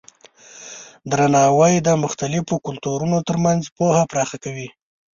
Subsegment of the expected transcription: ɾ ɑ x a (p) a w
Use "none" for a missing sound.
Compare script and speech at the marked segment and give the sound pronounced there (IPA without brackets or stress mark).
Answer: k